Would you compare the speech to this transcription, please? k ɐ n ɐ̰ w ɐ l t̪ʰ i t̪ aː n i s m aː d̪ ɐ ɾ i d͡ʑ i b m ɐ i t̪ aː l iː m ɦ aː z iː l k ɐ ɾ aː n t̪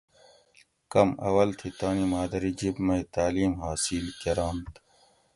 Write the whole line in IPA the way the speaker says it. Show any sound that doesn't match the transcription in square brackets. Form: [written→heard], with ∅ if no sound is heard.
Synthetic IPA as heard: k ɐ [n→m] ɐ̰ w ɐ l t̪ʰ i t̪ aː n i [s→∅] m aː d̪ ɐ ɾ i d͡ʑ i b m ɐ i t̪ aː l iː m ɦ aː [z→s] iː l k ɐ ɾ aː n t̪

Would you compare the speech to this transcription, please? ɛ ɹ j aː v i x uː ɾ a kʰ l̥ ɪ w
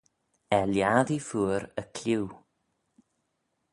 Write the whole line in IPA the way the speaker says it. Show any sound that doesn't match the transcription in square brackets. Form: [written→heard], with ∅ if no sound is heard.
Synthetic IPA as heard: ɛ [ɹ→l] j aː [v→ð] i [x→f] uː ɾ [a→ə] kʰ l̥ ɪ w

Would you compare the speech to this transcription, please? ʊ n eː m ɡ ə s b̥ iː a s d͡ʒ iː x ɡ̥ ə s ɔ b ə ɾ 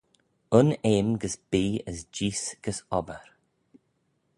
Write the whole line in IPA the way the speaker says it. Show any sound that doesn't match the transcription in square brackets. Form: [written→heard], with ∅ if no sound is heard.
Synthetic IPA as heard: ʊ n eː m ɡ ə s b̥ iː [a→ə] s d͡ʒ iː [x→s] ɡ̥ ə s ɔ b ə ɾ

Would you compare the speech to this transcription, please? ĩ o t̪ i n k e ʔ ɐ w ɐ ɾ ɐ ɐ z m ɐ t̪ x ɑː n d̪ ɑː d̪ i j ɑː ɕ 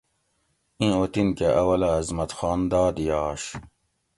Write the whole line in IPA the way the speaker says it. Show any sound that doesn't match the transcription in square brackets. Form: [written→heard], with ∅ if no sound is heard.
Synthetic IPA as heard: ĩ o t̪ i n k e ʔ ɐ w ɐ [ɾ→l] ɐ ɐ z m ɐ t̪ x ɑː n d̪ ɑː d̪ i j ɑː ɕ

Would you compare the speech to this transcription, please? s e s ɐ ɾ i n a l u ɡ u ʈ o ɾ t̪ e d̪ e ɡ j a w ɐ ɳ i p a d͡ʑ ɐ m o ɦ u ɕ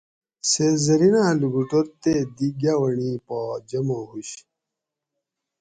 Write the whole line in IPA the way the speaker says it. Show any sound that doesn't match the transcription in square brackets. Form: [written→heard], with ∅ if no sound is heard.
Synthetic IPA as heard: s e [s→z] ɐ ɾ i n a l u ɡ u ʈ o ɾ t̪ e d̪ [e→i] ɡ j a w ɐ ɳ i p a d͡ʑ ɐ m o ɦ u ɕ

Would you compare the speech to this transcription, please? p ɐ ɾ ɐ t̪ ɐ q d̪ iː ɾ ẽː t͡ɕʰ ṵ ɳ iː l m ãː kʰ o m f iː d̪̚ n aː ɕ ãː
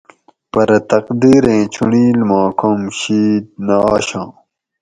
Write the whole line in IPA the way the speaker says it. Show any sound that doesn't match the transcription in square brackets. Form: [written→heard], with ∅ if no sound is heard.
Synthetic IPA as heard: p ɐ ɾ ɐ t̪ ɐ q d̪ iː ɾ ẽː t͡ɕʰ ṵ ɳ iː l m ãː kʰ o m [f→ɕ] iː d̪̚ n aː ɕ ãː

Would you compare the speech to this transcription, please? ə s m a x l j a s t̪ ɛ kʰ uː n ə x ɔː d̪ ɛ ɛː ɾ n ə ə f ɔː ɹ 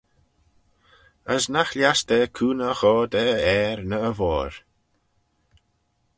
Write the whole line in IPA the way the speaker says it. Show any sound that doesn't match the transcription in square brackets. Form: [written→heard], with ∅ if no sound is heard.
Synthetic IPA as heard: ə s [m→n] a x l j a s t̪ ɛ kʰ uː n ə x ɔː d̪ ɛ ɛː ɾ n ə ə [f→v] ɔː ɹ

